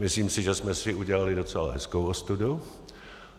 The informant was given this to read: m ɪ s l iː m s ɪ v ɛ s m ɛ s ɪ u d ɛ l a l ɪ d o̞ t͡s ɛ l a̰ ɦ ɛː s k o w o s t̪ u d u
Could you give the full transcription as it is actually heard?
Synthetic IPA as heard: m ɪ s l iː m s ɪ ʒ ɛ s m ɛ s ɪ u ɟ ɛ l a l ɪ d o̞ t͡s ɛ l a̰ ɦ ɛ s k o w o s t̪ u d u